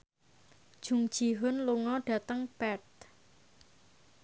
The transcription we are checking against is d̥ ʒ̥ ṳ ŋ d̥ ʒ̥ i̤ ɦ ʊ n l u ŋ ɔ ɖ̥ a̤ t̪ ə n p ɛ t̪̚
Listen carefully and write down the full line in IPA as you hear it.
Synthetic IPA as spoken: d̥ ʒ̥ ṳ ŋ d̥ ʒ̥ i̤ ɦ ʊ n l u ŋ ɔ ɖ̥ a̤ t̪ ə ŋ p ɛ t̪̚